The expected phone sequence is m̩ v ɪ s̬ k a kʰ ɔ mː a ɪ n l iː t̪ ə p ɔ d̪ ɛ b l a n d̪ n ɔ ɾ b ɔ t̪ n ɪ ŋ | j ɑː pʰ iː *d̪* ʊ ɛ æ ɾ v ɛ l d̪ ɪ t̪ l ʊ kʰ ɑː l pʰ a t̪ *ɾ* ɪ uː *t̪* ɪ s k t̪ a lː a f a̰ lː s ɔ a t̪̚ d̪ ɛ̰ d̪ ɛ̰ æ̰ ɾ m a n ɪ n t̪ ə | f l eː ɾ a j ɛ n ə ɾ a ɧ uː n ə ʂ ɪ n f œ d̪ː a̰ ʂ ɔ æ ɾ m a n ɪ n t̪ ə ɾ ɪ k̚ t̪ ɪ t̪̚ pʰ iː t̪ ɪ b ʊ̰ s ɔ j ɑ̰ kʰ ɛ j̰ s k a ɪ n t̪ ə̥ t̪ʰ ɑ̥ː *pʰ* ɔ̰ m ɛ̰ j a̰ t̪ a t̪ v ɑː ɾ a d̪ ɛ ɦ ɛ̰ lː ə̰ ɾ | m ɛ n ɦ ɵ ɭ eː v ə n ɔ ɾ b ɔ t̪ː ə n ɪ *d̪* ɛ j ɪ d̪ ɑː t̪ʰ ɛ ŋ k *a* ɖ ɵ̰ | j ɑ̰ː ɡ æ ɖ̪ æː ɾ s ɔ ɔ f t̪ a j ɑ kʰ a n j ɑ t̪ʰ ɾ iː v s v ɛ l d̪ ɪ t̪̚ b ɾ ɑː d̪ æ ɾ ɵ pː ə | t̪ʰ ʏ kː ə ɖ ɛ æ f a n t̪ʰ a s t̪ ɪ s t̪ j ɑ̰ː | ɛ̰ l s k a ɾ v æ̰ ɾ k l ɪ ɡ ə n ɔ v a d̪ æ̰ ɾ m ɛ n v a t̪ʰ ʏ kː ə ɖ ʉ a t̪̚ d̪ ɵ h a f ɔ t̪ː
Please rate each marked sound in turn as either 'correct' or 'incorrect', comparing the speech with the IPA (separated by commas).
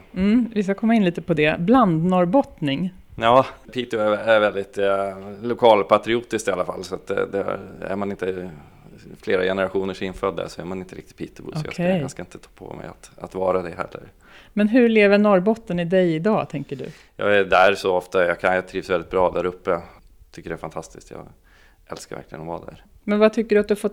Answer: incorrect, correct, correct, correct, correct, incorrect